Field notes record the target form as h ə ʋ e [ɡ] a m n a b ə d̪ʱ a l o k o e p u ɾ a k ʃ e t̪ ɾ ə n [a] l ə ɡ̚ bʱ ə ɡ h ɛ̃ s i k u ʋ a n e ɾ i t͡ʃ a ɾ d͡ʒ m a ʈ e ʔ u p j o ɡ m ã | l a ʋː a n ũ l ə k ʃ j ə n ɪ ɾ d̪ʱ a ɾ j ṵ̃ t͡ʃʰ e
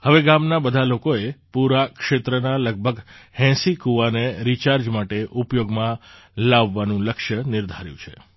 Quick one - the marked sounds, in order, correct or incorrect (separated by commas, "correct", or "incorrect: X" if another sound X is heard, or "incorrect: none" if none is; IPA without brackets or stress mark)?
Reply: correct, correct